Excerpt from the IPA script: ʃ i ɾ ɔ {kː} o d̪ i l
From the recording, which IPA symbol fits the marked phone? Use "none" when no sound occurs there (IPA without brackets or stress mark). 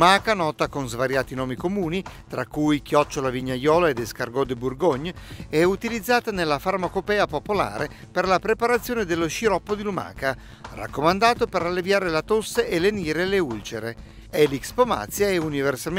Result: pː